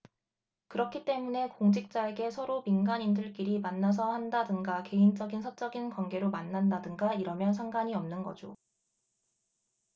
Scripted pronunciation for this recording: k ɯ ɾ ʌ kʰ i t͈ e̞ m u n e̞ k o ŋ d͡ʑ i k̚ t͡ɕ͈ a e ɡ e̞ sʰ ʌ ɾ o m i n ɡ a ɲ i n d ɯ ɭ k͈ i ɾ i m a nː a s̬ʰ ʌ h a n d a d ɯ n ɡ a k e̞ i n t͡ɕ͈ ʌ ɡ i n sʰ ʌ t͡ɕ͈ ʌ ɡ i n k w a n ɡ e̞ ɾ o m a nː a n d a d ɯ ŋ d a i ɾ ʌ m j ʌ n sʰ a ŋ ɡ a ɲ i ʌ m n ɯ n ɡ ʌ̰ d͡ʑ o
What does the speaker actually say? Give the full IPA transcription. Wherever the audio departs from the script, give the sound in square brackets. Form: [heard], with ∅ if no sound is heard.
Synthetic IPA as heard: k ɯ ɾ ʌ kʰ i t͈ e̞ m u n e̞ k o ŋ d͡ʑ i k̚ t͡ɕ͈ a e ɡ e̞ sʰ ʌ ɾ o m i n ɡ a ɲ i n d ɯ ɭ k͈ i ɾ i m a nː a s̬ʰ ʌ h a n d a d ɯ [ŋ] ɡ a k e̞ i n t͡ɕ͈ ʌ ɡ i n sʰ ʌ t͡ɕ͈ ʌ ɡ i n k w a n ɡ e̞ ɾ o m a nː a n d a d ɯ ŋ [ɡ] a i ɾ ʌ m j ʌ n sʰ a ŋ ɡ a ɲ i ʌ m n ɯ n ɡ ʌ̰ d͡ʑ o